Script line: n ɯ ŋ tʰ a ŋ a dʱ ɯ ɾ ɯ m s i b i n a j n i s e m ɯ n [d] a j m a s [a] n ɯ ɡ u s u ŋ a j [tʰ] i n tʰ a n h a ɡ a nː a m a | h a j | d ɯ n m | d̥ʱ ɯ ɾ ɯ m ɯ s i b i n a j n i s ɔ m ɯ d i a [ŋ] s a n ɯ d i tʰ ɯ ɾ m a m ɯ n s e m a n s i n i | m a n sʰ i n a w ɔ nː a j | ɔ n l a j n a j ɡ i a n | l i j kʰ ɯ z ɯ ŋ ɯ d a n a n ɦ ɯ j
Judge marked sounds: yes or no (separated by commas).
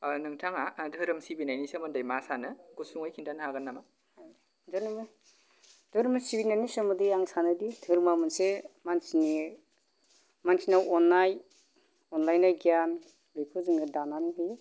yes, yes, no, yes